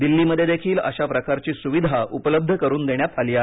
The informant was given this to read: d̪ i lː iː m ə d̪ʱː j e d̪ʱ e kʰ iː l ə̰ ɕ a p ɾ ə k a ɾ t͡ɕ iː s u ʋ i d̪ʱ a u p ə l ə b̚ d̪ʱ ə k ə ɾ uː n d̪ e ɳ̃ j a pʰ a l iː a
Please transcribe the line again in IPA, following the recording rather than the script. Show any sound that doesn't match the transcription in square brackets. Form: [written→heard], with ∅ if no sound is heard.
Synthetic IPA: d̪ i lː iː m ə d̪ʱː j e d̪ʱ e kʰ iː l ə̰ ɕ a p ɾ ə k a ɾ t͡ɕ iː s u ʋ i d̪ʱ a u p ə l ə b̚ d̪ʱ ə k ə ɾ uː n d̪ e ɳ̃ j a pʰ a l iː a